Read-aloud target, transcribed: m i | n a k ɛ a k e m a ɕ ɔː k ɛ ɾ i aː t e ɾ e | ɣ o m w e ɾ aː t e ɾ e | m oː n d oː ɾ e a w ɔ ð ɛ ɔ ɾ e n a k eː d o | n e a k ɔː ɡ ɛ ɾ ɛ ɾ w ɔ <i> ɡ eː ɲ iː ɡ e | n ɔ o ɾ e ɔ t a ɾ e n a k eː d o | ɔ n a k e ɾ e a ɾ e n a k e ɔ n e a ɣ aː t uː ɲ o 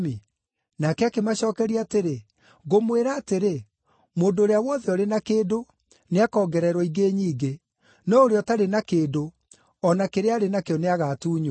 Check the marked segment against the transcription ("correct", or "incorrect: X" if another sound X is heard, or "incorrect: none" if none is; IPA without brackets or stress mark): correct